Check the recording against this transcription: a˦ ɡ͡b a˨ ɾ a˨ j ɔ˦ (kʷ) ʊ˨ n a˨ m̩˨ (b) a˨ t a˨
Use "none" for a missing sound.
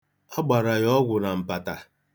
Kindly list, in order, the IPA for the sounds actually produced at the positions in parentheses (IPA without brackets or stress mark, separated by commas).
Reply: ɡʷ, p